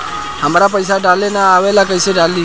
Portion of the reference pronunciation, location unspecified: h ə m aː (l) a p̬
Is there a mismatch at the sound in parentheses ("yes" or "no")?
yes